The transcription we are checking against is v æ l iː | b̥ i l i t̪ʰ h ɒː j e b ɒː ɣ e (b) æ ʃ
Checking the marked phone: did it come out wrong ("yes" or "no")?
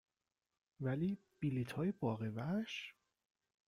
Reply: yes